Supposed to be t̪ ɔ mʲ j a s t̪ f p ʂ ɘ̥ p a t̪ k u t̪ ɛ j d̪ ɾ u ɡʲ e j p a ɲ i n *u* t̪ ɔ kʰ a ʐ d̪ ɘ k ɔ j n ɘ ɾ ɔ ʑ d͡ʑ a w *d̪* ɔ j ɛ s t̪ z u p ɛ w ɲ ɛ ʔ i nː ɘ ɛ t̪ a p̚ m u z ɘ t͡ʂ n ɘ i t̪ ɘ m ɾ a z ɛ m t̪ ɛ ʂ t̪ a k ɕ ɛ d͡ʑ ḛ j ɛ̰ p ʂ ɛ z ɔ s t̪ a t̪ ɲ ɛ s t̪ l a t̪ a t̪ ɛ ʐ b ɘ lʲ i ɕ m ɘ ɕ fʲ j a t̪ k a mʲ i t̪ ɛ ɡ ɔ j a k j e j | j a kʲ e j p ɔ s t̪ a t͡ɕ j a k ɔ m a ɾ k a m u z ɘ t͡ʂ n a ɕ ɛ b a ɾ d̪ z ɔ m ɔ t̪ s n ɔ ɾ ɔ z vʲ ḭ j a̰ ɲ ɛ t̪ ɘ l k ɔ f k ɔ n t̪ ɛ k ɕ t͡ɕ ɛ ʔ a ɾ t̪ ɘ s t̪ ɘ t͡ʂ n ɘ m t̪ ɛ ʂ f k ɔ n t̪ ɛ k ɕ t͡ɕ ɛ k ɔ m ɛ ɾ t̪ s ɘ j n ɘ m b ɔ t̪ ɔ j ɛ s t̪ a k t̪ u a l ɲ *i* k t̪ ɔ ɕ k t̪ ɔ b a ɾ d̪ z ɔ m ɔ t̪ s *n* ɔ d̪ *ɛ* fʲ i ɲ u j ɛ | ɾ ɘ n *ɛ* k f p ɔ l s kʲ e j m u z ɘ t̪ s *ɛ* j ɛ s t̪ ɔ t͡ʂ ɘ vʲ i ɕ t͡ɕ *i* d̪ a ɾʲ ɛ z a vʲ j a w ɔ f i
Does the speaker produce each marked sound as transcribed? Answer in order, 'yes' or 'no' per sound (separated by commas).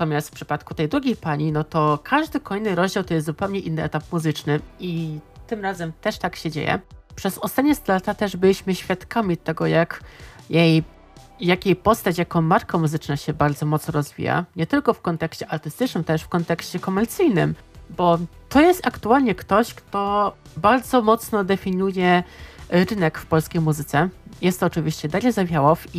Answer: no, no, no, yes, yes, yes, yes, no